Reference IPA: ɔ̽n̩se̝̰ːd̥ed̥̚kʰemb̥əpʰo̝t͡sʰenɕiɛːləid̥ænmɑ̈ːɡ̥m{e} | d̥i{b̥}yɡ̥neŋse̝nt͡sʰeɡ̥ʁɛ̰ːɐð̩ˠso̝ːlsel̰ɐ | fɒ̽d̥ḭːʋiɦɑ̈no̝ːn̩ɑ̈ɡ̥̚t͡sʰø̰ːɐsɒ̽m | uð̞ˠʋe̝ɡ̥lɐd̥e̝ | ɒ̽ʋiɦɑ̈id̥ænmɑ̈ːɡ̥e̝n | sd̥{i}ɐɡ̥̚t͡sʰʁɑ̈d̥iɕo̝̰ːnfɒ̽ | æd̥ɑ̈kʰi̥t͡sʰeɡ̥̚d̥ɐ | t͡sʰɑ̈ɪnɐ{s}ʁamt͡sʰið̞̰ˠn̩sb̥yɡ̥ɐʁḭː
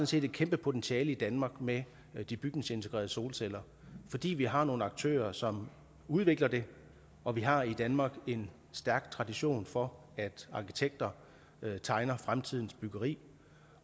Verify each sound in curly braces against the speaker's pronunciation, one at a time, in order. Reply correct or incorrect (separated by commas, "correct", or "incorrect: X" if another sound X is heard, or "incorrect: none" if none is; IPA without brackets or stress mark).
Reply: correct, correct, incorrect: æ, incorrect: f